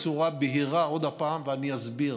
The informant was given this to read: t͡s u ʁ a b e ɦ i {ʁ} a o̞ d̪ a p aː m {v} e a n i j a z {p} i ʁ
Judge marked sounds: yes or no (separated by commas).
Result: yes, yes, no